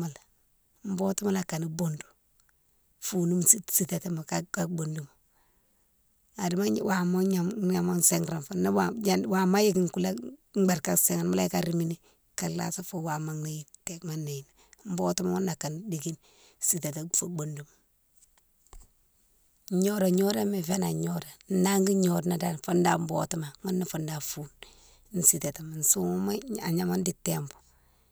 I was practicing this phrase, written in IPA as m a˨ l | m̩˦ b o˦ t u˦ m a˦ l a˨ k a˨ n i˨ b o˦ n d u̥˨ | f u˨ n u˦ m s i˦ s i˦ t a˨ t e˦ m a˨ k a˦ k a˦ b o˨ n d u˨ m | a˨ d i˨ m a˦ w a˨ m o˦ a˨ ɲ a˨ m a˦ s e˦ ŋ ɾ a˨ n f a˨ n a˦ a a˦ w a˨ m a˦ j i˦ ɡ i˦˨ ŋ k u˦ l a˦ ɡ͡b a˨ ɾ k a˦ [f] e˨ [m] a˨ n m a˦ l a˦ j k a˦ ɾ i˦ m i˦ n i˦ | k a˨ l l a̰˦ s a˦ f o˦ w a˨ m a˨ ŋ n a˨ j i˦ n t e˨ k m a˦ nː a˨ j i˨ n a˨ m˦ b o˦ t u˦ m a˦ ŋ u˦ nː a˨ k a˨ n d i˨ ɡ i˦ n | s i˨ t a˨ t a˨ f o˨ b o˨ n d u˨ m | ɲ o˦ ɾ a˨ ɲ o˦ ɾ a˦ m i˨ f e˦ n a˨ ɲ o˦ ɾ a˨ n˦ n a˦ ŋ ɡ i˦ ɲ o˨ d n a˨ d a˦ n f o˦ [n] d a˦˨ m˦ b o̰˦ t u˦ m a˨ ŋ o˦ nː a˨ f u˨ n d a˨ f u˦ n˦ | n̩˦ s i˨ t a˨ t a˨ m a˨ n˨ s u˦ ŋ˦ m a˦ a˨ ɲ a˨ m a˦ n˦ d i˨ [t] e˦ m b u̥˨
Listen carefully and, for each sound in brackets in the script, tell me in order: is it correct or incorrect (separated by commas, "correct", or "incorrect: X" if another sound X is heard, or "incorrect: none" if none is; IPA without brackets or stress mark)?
incorrect: s, incorrect: ŋ, correct, correct